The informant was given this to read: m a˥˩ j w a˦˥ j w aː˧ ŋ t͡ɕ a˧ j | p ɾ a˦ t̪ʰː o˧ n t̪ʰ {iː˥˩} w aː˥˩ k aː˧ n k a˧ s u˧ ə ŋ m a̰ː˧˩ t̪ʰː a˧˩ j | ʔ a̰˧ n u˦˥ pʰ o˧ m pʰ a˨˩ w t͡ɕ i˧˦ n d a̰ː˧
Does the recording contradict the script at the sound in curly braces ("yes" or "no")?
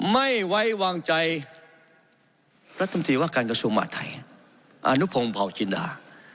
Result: yes